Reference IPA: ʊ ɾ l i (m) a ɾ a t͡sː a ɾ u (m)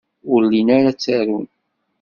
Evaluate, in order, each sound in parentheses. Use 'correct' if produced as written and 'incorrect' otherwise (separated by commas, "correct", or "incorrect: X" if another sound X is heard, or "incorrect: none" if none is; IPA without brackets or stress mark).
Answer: incorrect: n, incorrect: n